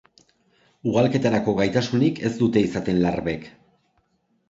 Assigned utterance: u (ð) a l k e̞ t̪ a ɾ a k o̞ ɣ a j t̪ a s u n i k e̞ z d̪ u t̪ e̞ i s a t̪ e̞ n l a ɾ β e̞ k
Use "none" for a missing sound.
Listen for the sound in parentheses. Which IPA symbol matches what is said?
ɣ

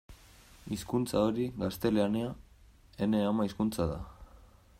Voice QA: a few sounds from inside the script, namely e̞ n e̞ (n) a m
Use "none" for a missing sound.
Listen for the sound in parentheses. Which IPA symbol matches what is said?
none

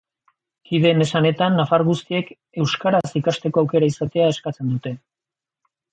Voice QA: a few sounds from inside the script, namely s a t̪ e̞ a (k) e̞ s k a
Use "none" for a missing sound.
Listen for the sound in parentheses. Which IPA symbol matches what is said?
none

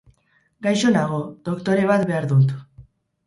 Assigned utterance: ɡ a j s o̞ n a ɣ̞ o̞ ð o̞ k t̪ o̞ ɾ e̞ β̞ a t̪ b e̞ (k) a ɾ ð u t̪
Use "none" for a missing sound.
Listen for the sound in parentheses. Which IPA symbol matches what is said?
none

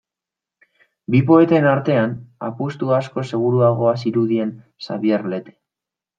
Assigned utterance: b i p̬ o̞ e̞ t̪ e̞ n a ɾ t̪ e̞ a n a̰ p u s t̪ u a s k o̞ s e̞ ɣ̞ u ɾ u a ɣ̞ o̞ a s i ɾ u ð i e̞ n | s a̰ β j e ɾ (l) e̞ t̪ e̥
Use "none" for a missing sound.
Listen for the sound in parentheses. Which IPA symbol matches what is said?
l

